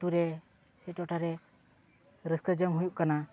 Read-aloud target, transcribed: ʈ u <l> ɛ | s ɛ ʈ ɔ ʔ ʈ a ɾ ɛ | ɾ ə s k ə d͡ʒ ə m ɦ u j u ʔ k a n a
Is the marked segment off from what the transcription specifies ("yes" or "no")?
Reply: yes